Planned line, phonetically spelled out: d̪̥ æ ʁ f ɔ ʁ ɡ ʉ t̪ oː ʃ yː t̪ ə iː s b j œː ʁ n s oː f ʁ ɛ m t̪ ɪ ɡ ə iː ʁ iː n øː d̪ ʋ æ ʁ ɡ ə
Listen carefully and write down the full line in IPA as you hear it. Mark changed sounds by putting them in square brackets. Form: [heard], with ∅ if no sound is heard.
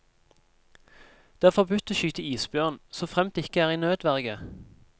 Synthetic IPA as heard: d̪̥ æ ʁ f ɔ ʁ [b] ʉ t̪ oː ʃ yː t̪ ə iː s b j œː ʁ n s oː f ʁ ɛ m t̪ ɪ [k] ə [æː] ʁ iː n øː d̪ ʋ æ ʁ ɡ ə